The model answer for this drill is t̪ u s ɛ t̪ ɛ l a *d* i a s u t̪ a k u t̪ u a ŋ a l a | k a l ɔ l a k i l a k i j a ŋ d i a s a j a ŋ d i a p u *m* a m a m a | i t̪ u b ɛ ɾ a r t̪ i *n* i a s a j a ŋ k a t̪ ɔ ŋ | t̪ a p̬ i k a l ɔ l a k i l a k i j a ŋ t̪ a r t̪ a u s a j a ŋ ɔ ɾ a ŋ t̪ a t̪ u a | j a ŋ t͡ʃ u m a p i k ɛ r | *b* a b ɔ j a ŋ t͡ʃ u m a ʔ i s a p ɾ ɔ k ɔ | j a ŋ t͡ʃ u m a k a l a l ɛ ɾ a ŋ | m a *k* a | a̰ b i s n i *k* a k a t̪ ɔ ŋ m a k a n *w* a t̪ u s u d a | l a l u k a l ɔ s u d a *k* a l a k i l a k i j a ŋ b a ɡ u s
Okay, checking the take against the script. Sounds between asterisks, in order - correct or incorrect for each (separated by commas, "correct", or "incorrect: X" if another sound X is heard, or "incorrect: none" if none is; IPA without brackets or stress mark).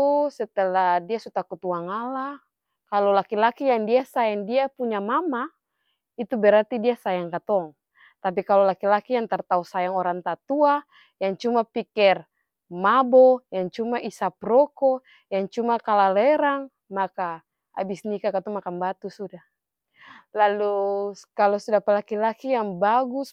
correct, incorrect: ɲ, incorrect: d, incorrect: m, correct, correct, incorrect: b, incorrect: p